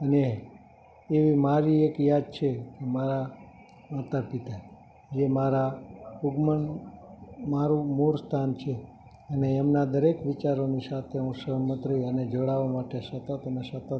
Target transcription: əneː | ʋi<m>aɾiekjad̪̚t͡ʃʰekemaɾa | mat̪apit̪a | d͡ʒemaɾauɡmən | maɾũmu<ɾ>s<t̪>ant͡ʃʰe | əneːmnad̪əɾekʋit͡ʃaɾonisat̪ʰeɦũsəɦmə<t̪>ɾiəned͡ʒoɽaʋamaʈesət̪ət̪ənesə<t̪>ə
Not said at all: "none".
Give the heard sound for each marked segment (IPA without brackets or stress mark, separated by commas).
m, ɾ, t̪ʰ, t̪, t̪